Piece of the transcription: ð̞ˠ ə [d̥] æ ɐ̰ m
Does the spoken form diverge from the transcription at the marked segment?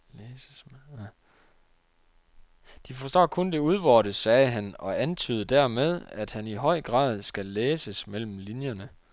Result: no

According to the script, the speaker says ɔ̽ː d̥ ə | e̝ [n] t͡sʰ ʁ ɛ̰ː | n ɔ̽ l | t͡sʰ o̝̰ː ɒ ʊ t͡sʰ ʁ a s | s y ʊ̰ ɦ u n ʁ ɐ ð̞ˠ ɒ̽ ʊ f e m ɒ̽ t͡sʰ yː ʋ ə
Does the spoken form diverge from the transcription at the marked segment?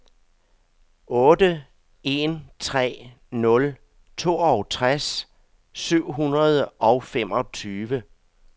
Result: no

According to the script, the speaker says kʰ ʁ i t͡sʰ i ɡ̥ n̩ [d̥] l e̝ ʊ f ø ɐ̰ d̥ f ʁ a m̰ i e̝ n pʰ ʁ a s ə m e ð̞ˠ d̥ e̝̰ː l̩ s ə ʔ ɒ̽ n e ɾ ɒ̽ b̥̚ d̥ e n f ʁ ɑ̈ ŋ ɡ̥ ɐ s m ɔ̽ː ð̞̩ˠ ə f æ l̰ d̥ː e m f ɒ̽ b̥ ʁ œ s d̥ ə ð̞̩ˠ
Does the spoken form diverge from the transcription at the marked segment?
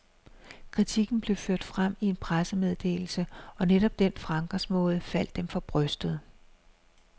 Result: yes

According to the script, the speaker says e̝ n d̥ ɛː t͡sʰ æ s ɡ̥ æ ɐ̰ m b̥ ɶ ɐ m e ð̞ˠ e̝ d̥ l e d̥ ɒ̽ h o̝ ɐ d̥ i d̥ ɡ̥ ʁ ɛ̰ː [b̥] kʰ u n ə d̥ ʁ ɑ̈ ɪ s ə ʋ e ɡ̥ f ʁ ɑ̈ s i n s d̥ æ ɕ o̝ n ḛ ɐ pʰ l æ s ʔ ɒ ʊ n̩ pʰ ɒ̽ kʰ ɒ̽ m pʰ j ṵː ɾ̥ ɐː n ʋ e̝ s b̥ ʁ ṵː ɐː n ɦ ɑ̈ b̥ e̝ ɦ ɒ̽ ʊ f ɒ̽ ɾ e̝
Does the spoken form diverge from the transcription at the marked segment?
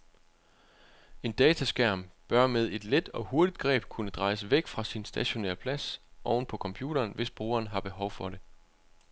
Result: no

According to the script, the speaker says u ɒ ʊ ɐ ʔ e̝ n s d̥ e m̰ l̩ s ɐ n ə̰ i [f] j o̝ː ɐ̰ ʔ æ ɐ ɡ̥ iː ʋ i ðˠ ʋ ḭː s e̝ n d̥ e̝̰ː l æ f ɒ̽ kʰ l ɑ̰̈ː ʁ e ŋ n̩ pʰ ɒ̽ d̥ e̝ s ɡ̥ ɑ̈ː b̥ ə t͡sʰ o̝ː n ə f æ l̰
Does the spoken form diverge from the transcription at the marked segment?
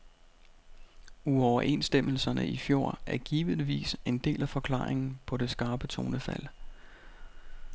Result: no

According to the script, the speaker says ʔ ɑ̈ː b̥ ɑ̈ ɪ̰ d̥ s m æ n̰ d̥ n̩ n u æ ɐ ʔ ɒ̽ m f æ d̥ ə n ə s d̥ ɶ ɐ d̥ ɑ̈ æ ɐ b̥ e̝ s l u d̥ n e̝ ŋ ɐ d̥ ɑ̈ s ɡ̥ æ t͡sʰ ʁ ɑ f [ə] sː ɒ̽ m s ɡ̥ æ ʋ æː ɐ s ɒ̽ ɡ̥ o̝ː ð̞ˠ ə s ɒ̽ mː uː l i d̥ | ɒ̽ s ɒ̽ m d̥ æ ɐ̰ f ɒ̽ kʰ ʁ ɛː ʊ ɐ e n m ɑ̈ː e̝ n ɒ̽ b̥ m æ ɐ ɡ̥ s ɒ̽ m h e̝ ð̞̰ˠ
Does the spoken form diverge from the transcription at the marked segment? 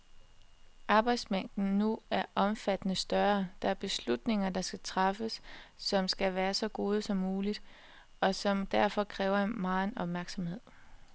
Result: no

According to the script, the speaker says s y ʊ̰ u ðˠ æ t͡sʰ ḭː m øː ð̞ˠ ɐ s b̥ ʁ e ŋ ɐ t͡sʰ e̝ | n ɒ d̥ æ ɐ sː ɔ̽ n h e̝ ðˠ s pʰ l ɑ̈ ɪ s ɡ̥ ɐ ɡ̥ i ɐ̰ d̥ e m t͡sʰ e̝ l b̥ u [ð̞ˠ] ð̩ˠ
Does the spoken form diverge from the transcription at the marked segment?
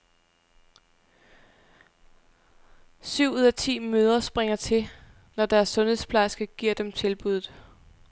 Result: no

